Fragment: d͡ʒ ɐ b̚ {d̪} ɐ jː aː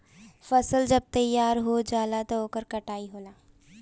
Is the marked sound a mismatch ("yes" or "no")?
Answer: yes